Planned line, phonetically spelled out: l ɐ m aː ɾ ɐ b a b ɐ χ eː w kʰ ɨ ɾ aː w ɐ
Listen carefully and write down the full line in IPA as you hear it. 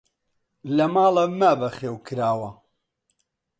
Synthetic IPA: l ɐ m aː l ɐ m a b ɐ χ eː w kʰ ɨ ɾ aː w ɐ

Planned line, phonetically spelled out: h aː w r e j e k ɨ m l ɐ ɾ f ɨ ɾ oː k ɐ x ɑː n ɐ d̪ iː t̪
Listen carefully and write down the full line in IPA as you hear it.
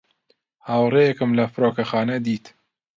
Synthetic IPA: h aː w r e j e k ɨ m l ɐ f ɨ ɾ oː k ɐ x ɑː n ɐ d̪ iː t̪

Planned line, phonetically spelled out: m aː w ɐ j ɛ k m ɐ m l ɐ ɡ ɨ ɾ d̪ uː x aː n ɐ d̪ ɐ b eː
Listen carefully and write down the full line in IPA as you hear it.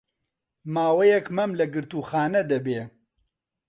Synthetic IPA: m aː w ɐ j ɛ k m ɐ m l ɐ ɡ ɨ ɾ t̪ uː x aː n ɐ d̪ ɐ b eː

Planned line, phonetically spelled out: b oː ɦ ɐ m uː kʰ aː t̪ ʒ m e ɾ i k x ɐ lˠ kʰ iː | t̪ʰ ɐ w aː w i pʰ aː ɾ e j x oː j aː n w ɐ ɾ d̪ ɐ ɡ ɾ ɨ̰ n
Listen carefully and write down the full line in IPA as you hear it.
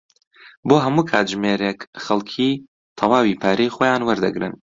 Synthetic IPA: b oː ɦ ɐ m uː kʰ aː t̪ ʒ m e ɾ e k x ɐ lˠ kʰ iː | t̪ʰ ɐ w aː w i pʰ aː ɾ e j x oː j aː n w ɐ ɾ d̪ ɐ ɡ ɾ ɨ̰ n

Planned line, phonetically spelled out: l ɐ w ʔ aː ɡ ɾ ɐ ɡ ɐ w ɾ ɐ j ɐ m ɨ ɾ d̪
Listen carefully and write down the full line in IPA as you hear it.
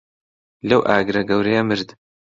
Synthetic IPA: l ɐ w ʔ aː ɡ ɾ ɐ ɡ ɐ w ɾ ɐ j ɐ m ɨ ɾ d̪

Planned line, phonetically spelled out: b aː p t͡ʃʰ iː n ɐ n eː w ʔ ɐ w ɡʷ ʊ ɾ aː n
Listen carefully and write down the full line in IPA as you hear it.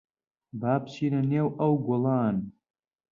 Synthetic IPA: b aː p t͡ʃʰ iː n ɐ n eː w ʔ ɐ w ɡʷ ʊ l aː n

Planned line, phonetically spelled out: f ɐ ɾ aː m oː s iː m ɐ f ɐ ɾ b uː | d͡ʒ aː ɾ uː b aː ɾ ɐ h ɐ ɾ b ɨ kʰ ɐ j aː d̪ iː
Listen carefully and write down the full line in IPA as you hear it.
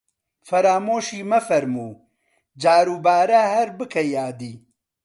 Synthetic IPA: f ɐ ɾ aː m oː ʃ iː m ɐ f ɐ ɾ m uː | d͡ʒ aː ɾ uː b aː ɾ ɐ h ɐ ɾ b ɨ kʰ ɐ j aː d̪ iː

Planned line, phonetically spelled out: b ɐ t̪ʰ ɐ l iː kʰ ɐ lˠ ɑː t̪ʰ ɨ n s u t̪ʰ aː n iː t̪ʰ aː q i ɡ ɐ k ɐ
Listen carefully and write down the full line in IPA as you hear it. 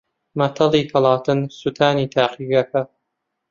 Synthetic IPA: m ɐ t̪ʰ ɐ l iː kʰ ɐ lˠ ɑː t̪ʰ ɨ n s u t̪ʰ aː n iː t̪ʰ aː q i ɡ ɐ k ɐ

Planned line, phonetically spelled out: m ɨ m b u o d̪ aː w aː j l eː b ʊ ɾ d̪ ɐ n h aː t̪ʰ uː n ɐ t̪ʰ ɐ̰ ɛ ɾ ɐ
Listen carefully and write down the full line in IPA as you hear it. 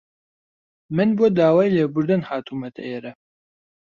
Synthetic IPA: m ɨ n b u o d̪ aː w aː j l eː b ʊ ɾ d̪ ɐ n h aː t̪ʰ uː m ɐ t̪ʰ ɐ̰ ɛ ɾ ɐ

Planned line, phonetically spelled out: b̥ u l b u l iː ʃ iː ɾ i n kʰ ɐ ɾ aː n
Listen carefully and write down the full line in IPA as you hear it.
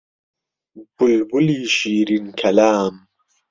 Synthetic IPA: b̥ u l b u l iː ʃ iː ɾ i n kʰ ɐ l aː m

